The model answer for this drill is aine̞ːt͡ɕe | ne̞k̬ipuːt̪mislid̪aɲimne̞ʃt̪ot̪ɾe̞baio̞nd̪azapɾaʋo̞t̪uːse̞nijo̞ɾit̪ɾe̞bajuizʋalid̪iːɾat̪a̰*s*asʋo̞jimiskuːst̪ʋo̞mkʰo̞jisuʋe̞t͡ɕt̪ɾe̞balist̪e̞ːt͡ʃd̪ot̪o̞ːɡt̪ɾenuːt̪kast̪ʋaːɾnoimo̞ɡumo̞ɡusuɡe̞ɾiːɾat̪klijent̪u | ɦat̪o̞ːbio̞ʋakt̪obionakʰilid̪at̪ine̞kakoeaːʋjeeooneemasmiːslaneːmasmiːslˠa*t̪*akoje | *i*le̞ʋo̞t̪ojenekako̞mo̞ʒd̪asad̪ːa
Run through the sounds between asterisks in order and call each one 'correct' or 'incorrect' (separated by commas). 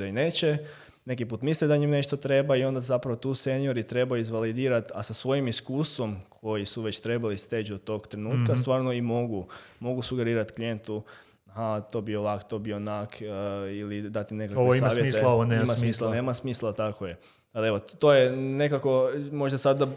correct, correct, incorrect